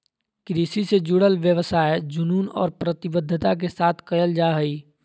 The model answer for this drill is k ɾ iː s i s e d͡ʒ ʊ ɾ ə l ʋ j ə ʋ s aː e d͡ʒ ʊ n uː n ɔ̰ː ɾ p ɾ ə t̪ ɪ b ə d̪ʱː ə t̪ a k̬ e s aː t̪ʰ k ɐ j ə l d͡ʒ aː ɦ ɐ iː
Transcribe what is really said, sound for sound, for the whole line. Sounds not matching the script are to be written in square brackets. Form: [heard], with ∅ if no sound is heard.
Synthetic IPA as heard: k ɾ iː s i s e d͡ʒ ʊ [ɽ] ə l ʋ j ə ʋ s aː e d͡ʒ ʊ n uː n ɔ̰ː ɾ p ɾ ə t̪ ɪ b ə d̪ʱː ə t̪ a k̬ e s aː t̪ʰ k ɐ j ə l d͡ʒ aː ɦ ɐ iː